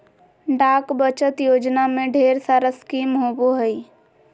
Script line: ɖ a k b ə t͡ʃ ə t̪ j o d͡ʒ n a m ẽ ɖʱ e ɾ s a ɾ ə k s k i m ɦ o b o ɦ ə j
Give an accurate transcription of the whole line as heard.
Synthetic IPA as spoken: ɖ a k b ə t͡ʃ ə t̪ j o d͡ʒ n a m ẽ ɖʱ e ɾ s a ɾ ə s k i m ɦ o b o ɦ ə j